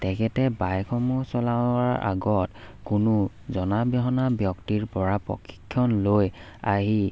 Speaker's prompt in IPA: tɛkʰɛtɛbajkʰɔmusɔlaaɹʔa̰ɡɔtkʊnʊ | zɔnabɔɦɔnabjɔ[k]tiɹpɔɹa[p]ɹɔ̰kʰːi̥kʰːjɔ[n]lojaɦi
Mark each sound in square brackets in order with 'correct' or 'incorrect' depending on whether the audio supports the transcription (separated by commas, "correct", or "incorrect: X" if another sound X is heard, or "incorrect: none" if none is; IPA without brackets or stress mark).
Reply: correct, correct, correct